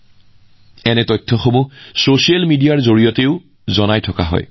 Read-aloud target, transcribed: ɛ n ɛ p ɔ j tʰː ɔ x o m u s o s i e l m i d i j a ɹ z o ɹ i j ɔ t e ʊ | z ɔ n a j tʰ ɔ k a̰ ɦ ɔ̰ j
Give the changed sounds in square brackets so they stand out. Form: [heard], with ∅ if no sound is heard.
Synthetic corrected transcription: ɛ n ɛ [t] ɔ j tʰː ɔ x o m u s o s i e l m i d i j a ɹ z o ɹ i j ɔ t e ʊ | z ɔ n a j tʰ ɔ k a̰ ɦ ɔ̰ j

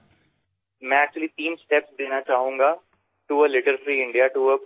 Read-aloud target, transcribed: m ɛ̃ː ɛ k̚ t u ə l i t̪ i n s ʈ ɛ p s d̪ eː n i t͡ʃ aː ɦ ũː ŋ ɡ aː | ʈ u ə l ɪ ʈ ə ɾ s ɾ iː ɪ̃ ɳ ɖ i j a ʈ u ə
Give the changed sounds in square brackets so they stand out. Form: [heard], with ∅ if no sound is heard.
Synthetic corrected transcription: m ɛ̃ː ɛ k̚ [t͡ʃ] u ə l i t̪ [iː] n s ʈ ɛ p s d̪ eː n [a] t͡ʃ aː ɦ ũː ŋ ɡ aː | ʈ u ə l ɪ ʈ ə ɾ [f] ɾ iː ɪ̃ ɳ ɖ i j a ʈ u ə

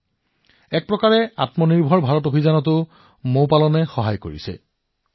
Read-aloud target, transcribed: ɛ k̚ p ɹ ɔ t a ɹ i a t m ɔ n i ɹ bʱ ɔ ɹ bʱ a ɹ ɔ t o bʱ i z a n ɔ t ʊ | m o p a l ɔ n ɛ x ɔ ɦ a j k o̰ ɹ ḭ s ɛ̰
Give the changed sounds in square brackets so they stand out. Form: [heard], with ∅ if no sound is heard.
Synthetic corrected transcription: ɛ k̚ p ɹ ɔ [k] a ɹ [ɛ] a t m ɔ n i ɹ bʱ ɔ ɹ bʱ a ɹ ɔ t o bʱ i z a n ɔ t ʊ | m o p a l ɔ n ɛ x ɔ ɦ a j k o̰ ɹ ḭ s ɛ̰

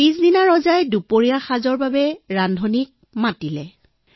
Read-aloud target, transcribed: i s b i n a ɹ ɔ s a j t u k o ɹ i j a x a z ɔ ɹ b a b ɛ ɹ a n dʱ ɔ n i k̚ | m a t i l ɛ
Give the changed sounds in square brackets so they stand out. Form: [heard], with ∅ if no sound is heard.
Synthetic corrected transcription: i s [d] i n a ɹ ɔ [z] a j [d] u [p] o ɹ i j a x a z ɔ ɹ b a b ɛ ɹ a n dʱ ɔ n i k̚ | m a t i l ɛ

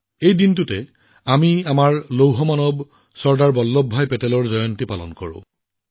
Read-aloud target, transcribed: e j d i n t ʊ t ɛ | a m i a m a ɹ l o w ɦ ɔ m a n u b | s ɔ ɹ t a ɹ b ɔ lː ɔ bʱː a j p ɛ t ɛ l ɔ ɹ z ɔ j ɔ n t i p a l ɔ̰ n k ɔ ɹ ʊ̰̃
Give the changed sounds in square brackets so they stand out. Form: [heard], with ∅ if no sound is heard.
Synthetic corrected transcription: e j d i n t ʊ t ɛ | a m i a m a ɹ l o w ɦ ɔ m a n [ɔ] b | s ɔ ɹ [d] a ɹ b ɔ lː ɔ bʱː a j p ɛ t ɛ l ɔ ɹ z ɔ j ɔ n t i p a l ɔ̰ n k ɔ ɹ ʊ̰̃

